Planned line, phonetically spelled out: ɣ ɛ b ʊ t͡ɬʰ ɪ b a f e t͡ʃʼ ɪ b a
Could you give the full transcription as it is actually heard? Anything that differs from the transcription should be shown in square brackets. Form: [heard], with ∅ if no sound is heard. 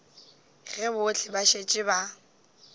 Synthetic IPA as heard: ɣ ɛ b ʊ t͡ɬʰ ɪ b a [ʃ] e t͡ʃʼ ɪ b a